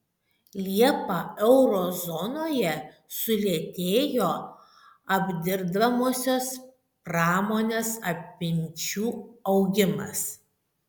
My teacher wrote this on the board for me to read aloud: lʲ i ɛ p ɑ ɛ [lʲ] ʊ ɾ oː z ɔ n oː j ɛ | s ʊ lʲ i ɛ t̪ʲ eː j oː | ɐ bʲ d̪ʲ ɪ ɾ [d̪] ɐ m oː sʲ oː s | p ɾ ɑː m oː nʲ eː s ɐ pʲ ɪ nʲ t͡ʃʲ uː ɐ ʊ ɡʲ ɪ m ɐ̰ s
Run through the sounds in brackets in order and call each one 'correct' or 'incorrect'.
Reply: incorrect: none, correct

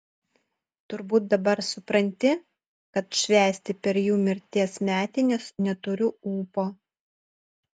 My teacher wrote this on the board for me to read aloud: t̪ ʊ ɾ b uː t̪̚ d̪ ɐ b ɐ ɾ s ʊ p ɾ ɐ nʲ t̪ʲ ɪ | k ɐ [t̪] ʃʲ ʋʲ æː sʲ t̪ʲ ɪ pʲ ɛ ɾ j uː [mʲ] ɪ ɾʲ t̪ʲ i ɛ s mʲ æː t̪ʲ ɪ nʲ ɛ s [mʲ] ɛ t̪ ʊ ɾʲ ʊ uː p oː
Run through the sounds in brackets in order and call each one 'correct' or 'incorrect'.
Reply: correct, correct, incorrect: nʲ

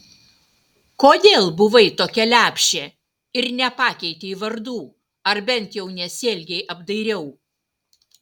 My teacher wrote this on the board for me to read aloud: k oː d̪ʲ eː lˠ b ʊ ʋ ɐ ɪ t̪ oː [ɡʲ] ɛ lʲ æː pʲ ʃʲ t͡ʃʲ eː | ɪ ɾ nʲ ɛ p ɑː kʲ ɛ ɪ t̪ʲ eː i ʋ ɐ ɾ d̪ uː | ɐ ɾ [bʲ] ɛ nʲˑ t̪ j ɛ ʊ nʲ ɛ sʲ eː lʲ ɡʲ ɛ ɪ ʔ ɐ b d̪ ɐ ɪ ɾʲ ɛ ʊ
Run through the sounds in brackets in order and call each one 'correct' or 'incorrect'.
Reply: incorrect: kʲ, correct

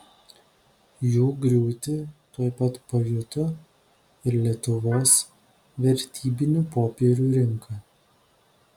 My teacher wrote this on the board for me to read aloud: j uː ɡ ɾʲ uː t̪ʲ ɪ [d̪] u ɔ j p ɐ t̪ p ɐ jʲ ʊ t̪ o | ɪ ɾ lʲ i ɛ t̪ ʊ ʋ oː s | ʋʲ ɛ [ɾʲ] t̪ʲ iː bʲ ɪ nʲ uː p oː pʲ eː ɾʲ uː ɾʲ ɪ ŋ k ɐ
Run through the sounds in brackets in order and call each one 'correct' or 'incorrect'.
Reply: incorrect: t̪, correct

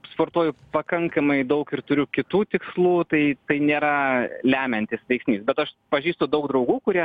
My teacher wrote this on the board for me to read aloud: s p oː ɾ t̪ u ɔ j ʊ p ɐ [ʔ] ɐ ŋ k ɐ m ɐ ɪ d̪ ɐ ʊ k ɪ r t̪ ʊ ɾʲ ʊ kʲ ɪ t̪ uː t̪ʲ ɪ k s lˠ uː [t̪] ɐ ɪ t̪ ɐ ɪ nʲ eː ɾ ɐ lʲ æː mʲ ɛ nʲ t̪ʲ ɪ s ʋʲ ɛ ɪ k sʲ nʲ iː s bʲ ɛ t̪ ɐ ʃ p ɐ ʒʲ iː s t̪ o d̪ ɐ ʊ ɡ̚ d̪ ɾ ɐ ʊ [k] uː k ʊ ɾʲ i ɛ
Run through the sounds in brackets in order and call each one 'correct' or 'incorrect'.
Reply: incorrect: k, correct, incorrect: ɡ

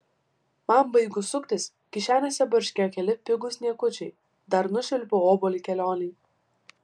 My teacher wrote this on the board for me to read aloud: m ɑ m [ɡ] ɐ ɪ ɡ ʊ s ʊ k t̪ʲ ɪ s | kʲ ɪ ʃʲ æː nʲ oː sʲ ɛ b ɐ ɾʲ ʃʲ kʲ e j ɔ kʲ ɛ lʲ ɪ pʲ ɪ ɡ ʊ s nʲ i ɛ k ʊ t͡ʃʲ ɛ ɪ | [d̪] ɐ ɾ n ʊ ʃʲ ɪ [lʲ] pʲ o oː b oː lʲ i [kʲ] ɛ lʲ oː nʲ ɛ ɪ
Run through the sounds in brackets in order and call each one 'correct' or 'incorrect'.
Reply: incorrect: b, correct, correct, correct

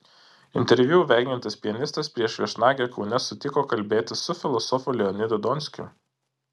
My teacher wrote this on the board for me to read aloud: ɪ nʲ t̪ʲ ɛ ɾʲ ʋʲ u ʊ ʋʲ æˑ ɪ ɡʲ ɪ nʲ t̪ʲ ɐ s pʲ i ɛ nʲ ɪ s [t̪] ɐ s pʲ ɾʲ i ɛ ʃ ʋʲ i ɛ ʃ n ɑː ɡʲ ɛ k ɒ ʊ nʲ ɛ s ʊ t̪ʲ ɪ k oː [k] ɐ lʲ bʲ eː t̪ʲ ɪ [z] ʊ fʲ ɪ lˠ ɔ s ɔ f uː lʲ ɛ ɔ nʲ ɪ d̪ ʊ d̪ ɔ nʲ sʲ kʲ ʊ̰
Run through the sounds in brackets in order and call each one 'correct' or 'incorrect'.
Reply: correct, correct, incorrect: s

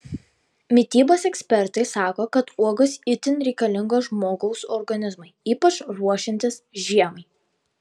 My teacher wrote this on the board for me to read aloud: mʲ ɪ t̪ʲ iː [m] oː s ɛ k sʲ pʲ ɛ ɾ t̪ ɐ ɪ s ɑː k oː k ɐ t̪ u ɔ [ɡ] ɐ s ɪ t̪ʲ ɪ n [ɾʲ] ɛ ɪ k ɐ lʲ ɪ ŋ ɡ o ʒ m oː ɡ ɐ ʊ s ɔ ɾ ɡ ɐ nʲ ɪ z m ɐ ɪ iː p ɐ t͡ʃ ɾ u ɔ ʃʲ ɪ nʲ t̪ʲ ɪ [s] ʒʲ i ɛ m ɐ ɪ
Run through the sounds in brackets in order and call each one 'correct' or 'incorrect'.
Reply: incorrect: b, correct, correct, correct

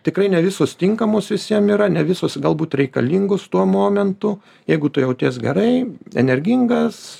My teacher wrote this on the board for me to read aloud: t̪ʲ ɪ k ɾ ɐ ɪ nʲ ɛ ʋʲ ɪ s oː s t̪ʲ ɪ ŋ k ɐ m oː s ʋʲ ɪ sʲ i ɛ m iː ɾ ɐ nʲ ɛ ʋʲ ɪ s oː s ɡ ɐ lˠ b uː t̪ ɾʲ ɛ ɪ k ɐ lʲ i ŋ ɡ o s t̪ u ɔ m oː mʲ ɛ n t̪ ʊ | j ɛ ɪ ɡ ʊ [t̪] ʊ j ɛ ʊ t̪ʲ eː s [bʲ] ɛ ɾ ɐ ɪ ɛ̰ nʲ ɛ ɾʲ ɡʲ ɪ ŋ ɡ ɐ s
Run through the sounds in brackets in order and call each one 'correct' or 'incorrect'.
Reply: correct, incorrect: ɡʲ

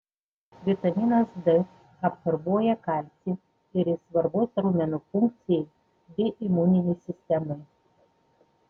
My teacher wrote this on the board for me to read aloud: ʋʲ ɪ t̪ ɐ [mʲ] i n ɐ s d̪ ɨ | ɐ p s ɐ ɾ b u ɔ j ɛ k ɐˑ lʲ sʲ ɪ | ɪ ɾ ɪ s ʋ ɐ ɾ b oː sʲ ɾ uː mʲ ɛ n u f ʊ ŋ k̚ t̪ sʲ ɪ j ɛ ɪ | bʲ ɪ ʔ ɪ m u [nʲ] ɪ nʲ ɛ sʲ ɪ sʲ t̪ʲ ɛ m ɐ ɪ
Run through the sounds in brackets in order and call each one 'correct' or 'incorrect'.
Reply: correct, correct

